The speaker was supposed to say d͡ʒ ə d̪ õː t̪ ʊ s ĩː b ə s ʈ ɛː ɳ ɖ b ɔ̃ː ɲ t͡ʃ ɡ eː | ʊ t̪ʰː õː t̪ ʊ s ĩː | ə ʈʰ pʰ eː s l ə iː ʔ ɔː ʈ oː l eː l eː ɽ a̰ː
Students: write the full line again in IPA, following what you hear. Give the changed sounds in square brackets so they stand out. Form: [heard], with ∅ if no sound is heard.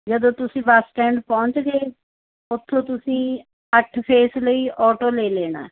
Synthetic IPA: d͡ʒ ə d̪ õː t̪ ʊ s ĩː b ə s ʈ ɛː ɳ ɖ [p] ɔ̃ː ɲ t͡ʃ ɡ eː | ʊ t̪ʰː õː t̪ ʊ s ĩː | ə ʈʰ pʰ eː s l ə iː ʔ ɔː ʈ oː l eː l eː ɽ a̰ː